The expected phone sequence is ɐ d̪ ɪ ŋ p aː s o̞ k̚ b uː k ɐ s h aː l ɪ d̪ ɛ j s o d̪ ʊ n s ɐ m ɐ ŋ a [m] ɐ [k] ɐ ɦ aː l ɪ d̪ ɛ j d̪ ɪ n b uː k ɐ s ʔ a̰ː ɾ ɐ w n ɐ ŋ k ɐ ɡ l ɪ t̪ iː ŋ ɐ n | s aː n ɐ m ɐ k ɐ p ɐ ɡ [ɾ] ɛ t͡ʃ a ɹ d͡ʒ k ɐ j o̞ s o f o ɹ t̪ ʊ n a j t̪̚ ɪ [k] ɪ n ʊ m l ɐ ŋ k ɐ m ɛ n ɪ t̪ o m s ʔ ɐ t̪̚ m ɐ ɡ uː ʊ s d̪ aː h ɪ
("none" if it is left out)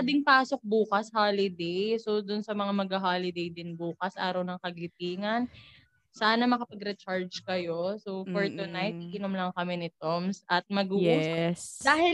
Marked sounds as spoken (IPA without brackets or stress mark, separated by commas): m, ɡ, ɾ, k